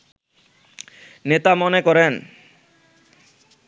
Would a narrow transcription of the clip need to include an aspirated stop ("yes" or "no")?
no